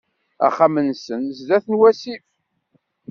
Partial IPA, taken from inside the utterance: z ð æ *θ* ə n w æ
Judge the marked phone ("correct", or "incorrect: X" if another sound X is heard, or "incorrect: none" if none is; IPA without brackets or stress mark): correct